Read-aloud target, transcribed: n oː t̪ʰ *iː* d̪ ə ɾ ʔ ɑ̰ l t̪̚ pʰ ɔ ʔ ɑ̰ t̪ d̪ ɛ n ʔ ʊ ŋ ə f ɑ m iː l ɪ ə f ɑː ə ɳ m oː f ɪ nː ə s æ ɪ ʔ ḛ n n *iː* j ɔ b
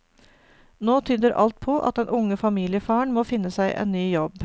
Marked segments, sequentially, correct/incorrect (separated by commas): incorrect, incorrect